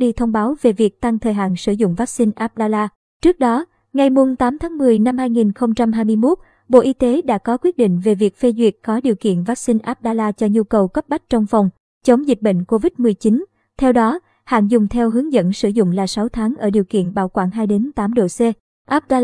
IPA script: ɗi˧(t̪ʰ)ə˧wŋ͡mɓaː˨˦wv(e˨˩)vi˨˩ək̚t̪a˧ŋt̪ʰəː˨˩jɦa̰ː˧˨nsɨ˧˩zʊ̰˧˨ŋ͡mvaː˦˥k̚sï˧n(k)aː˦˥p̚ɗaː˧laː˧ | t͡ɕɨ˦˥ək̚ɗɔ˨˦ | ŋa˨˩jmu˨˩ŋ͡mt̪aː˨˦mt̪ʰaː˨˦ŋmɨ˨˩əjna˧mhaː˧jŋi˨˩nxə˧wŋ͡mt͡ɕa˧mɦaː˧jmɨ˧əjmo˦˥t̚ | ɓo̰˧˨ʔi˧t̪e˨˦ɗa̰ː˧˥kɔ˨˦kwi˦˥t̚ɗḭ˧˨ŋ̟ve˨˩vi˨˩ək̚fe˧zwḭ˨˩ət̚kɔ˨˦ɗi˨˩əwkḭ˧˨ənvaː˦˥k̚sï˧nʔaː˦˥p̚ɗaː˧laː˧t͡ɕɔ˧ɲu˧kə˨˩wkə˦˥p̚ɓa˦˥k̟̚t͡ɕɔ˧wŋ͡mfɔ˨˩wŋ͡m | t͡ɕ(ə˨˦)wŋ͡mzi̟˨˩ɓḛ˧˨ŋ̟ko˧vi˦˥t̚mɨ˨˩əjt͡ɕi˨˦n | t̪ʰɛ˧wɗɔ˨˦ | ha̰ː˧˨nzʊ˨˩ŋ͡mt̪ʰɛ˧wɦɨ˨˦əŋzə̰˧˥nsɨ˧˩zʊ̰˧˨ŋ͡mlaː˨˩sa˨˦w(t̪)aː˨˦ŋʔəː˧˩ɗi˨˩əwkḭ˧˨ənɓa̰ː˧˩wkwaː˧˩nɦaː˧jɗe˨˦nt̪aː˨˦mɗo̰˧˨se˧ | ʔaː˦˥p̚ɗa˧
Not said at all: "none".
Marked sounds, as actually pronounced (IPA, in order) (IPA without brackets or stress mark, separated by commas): t̪ʰ, e˨˩, ʔ, ə˨˦, t̪ʰ